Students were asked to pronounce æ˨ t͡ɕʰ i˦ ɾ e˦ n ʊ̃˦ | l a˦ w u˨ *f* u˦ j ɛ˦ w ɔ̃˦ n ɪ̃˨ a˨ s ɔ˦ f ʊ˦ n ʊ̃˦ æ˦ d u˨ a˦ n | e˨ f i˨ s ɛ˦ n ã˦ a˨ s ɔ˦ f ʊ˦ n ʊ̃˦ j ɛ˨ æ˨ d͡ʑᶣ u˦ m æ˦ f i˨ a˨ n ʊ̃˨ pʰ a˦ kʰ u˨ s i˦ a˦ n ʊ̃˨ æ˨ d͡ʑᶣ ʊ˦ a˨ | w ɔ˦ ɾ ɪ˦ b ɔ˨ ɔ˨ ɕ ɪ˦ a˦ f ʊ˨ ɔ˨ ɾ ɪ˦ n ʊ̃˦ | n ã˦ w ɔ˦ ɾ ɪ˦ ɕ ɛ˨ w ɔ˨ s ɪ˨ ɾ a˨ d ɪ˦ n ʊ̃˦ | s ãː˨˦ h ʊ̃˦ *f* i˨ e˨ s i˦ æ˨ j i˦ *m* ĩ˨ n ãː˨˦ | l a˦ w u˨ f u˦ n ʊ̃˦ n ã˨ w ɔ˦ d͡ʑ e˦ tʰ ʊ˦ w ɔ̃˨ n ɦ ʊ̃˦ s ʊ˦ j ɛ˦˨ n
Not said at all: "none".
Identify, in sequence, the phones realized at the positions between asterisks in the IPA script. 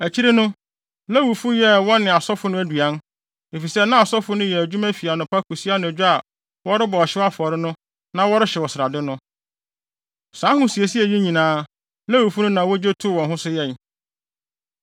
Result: f, s, ɲ

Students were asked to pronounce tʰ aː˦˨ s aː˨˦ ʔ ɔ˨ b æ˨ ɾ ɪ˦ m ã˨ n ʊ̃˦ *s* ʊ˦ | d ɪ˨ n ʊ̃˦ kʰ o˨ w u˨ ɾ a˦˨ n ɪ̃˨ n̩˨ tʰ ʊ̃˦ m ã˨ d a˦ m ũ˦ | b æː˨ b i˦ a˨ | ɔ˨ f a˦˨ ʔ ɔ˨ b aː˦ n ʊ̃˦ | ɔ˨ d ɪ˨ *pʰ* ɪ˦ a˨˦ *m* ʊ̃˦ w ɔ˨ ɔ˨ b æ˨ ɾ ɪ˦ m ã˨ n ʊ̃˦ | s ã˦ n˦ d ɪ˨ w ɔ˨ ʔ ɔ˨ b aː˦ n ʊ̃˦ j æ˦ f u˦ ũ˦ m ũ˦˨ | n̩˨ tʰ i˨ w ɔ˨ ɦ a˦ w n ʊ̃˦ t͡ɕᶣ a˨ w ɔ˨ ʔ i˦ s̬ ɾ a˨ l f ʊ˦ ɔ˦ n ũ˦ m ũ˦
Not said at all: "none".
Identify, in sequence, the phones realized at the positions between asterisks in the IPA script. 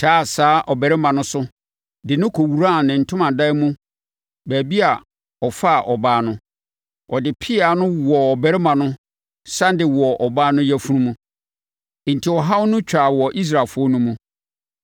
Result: s, pʰ, n

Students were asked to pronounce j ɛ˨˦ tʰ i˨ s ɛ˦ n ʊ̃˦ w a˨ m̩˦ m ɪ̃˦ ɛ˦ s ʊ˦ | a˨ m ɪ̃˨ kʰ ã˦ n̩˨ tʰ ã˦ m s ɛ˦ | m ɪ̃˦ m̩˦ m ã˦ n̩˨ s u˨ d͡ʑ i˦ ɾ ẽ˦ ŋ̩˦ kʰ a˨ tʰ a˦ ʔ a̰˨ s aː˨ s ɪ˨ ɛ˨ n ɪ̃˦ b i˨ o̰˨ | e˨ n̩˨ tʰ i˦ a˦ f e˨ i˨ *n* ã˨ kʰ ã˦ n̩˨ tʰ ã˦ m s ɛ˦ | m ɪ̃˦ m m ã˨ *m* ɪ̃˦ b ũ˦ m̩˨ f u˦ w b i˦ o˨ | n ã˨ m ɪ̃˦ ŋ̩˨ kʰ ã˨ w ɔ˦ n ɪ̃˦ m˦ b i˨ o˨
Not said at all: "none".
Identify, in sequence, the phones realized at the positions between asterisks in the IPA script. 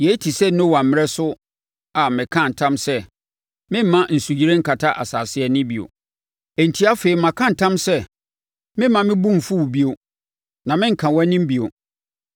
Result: m, m

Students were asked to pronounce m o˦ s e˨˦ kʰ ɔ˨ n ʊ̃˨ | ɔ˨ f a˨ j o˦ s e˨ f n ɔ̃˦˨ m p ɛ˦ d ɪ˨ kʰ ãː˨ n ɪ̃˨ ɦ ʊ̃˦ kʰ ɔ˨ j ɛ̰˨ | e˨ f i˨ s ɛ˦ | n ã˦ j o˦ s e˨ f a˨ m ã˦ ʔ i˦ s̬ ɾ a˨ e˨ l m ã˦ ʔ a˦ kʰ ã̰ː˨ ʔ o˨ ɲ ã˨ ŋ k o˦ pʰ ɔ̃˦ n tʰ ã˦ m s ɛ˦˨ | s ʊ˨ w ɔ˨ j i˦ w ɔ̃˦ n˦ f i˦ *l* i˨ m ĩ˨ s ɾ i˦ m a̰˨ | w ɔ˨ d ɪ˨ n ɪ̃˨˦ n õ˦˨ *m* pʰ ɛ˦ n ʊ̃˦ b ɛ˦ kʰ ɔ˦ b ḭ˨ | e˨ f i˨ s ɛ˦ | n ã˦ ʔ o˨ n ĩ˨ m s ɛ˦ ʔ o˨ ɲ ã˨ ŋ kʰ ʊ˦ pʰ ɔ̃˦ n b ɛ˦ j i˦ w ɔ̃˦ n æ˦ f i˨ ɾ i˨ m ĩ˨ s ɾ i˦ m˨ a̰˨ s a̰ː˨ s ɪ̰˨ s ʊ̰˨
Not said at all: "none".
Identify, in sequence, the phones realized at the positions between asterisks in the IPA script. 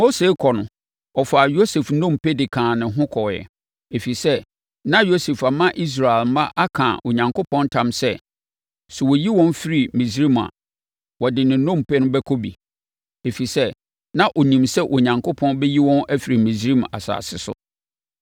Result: ɾ, m

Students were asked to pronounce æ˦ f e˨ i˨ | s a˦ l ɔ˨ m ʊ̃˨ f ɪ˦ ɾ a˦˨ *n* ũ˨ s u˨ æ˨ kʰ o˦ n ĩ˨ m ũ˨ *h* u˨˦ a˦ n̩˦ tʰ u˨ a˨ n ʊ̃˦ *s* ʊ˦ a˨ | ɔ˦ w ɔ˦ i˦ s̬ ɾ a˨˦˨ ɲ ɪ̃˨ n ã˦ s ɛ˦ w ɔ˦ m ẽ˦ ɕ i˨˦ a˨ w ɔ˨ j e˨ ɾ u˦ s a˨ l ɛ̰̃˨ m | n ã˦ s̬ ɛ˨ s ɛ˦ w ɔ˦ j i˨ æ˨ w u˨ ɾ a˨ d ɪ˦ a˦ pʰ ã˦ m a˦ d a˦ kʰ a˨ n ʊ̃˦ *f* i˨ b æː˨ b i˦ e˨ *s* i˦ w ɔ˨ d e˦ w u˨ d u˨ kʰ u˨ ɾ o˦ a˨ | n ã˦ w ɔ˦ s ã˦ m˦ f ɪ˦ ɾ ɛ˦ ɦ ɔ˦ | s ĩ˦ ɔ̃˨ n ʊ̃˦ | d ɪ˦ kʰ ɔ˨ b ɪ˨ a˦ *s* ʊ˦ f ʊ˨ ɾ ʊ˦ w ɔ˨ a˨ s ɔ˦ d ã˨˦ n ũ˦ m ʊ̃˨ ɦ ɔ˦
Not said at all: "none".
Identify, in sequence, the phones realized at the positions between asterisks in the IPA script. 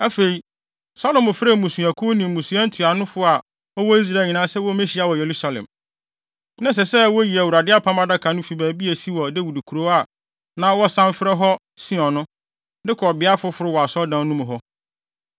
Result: m, s, f, f, s, f

